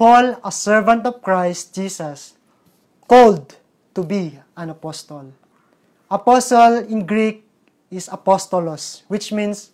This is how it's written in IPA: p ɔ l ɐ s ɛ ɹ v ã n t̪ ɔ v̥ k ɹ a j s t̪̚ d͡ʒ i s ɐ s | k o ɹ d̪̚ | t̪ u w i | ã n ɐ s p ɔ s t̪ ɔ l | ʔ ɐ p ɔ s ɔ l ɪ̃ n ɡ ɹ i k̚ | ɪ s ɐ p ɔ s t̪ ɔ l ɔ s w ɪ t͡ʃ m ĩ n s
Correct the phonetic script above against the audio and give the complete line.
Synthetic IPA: p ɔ l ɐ s ɛ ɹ v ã n t̪ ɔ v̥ k ɹ a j s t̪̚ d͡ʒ i s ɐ s | k o l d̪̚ | t̪ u b i | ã n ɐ p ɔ s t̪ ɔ l | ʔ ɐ p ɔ s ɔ l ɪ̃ n ɡ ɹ i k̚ | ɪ s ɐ p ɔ s t̪ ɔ l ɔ s w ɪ t͡ʃ m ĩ n s